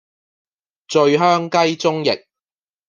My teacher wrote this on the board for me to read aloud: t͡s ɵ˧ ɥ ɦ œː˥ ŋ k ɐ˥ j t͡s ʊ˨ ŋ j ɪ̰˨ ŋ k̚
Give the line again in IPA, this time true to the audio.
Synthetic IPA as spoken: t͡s ɵ˧ ɥ ɦ œː˥ ŋ k ɐ˥ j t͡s ʊ˥ ŋ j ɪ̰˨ k̚